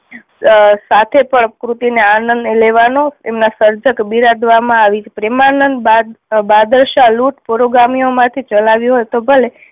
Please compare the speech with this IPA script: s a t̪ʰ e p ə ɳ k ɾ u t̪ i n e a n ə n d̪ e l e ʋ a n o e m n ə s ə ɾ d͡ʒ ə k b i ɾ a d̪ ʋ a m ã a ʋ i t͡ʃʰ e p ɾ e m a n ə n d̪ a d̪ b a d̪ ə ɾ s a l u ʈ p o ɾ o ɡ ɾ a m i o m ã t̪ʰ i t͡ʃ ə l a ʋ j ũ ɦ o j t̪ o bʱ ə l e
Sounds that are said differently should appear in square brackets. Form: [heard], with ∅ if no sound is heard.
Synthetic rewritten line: s a t̪ʰ e p ə ɳ k ɾ u t̪ i n e a n ə n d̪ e l e ʋ a n o e m n [a] s ə ɾ d͡ʒ ə k b i ɾ a d̪ ʋ a m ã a ʋ i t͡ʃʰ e p ɾ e m a n ə n d̪ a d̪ b a d̪ ə ɾ [ʃ] a l u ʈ p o ɾ o ɡ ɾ a m i o m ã t̪ʰ i t͡ʃ ə l a ʋ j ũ ɦ o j t̪ o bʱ ə l e

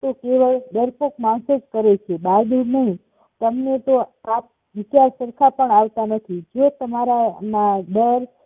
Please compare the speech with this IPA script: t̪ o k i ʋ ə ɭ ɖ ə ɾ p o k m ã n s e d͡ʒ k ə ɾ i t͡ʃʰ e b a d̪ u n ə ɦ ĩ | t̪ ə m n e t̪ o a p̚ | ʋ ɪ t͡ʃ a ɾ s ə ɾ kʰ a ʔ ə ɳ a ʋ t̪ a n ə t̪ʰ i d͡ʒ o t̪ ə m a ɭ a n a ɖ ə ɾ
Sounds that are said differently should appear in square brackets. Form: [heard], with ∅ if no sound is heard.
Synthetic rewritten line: t̪ o k [e] ʋ ə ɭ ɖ ə ɾ p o k m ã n s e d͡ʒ k ə ɾ [e] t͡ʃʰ e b a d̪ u n ə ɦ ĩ | t̪ ə m n e t̪ o a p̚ | ʋ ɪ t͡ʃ a ɾ s ə ɾ kʰ a [p] ə ɳ a ʋ t̪ a n ə t̪ʰ i d͡ʒ o t̪ ə m a [ɾ] a n a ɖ ə ɾ

